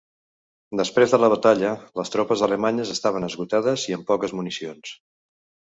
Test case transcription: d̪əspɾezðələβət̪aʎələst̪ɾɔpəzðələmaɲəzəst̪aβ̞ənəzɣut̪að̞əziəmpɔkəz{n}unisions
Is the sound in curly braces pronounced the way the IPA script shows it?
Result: no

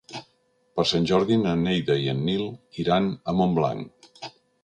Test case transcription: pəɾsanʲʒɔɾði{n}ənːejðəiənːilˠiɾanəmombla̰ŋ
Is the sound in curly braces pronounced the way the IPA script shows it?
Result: yes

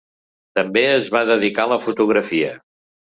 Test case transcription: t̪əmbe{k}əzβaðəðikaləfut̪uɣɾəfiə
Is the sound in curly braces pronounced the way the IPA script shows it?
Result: no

